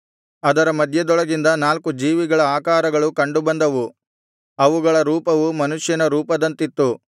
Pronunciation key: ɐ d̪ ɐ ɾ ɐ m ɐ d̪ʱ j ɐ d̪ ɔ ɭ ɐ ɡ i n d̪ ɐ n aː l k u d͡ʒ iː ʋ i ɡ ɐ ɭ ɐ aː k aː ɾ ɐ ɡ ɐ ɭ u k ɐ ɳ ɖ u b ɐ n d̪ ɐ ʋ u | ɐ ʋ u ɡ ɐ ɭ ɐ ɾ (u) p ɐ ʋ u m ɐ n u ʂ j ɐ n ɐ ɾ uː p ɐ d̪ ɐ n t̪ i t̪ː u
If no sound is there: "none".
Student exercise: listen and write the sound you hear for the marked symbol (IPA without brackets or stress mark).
uː